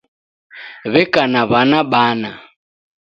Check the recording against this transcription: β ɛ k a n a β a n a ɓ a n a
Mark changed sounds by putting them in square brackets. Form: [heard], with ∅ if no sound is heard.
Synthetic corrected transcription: β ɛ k a n a β a n a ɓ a n a